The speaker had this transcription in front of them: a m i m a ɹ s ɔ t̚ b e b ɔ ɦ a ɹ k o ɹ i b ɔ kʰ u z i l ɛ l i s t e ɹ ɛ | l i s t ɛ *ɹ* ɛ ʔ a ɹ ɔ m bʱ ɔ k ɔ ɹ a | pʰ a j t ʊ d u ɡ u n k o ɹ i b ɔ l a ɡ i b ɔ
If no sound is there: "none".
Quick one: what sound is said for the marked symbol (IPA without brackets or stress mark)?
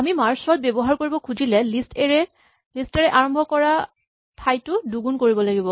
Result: ɹ